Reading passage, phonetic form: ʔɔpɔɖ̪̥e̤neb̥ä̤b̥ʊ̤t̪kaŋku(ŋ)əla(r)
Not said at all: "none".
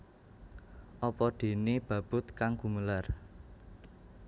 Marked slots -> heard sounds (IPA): m, r

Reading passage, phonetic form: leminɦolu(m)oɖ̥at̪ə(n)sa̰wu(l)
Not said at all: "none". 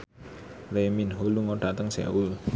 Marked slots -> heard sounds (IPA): ŋ, ŋ, l

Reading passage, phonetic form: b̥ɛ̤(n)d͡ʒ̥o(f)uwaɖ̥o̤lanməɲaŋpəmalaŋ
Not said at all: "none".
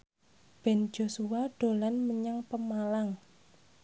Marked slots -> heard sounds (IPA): n, s

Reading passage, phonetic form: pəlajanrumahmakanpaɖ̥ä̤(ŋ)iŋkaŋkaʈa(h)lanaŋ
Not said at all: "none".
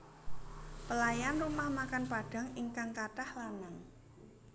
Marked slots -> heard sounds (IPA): ŋ, h

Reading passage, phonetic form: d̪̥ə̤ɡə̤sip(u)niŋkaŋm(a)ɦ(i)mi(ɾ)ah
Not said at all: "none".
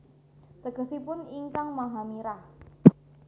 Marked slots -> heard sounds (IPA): ʊ, a, a, ɾ

